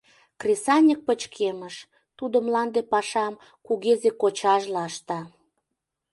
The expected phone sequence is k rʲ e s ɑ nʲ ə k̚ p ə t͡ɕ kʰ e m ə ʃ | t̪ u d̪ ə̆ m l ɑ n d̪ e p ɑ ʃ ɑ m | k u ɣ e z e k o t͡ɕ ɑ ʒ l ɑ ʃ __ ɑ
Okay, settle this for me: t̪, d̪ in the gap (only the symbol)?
t̪